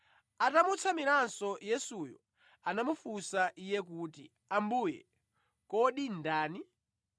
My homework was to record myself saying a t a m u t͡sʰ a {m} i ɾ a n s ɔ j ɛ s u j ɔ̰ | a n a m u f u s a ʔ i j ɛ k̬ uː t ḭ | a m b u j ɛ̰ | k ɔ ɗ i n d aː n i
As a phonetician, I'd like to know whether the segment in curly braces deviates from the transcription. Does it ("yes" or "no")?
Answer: no